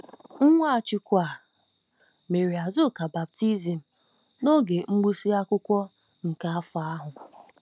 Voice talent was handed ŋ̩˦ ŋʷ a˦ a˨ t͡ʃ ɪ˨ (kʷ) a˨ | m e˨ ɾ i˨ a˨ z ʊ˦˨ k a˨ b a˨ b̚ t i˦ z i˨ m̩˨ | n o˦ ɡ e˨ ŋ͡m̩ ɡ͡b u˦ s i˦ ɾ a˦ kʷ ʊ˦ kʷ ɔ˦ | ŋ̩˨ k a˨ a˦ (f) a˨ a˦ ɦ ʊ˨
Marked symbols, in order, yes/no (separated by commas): yes, yes